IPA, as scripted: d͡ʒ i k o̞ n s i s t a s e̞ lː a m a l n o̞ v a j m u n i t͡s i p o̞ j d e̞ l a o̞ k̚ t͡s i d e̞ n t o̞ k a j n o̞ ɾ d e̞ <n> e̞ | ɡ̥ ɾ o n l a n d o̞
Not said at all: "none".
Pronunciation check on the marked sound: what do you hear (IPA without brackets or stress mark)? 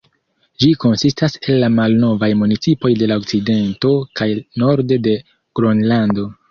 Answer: d